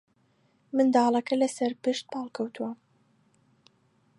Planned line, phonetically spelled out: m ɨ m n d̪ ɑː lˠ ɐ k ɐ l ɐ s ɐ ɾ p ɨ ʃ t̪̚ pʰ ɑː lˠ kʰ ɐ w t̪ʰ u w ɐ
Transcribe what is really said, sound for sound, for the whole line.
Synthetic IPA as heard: m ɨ n d̪ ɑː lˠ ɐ k ɐ l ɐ s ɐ ɾ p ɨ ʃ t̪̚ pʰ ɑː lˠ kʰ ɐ w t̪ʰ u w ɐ